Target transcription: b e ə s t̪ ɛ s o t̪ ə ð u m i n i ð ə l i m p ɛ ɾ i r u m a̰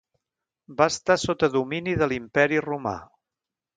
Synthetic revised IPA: b a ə s t̪ a s o t̪ ə ð u m i n i ð ə l i m p ɛ ɾ i r u m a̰